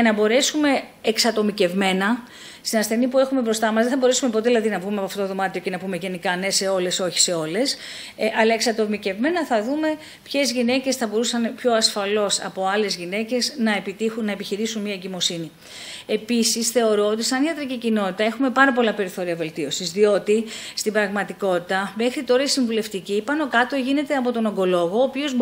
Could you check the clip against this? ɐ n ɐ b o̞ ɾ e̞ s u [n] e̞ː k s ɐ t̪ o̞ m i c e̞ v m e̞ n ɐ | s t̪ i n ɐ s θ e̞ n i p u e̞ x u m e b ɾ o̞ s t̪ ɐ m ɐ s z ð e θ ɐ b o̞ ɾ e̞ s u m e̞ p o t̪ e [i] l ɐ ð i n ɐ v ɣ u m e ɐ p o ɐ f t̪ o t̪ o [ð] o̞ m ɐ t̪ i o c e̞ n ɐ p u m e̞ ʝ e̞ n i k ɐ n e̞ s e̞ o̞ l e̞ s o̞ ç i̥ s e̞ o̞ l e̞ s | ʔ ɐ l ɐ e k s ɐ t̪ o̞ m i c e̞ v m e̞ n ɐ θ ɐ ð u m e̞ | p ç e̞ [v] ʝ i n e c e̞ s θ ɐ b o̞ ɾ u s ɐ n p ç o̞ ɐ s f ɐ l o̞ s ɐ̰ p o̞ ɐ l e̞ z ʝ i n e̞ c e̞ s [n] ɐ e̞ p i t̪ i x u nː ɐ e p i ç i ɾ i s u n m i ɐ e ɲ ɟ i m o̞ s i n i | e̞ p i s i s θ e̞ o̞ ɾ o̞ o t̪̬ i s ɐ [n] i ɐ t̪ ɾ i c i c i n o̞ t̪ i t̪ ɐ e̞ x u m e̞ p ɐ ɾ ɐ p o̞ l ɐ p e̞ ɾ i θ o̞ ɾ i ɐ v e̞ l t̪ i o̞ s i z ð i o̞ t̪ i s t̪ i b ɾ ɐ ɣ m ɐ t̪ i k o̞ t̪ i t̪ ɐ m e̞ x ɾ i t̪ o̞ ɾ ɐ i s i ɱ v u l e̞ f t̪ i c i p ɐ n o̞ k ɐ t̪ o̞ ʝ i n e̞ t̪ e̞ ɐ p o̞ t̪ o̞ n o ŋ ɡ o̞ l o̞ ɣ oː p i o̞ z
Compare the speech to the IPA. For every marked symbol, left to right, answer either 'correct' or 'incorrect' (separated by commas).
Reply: incorrect, correct, correct, incorrect, correct, correct